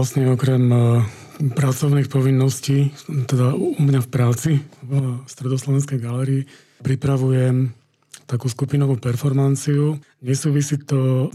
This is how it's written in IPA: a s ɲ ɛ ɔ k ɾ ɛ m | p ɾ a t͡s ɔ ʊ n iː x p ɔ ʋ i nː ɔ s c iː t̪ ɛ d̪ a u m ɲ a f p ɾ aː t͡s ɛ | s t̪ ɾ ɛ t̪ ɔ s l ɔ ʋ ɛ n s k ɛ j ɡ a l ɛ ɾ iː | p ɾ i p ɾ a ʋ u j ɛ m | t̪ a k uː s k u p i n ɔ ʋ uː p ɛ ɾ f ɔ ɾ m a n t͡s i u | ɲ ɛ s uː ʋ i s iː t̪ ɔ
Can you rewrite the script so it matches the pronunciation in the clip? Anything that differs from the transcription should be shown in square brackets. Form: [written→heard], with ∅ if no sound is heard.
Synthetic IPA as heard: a s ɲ ɛ ɔ k ɾ ɛ m | p ɾ a t͡s ɔ ʊ n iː x p ɔ ʋ i nː ɔ s c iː t̪ ɛ d̪ a u m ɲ a f p ɾ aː t͡s [ɛ→i] | s t̪ ɾ ɛ [t̪→d̪] ɔ s l ɔ ʋ ɛ n s k ɛ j ɡ a l ɛ ɾ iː | p ɾ i p ɾ a ʋ u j ɛ m | t̪ a k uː s k u p i n ɔ ʋ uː p ɛ ɾ f ɔ ɾ m a n t͡s i u | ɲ ɛ s uː ʋ i s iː t̪ ɔ